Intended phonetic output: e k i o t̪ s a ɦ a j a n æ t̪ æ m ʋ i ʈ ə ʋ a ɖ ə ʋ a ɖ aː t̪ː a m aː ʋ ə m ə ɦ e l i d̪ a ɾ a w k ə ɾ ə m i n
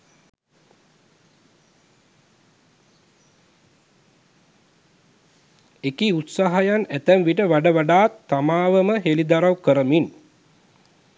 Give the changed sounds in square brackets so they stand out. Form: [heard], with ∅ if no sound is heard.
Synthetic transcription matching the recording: e k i [u] t̪ s a ɦ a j a n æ t̪ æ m ʋ i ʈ ə ʋ a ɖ ə ʋ a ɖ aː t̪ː a m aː ʋ ə m ə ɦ e l i d̪ a ɾ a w k ə ɾ ə m i n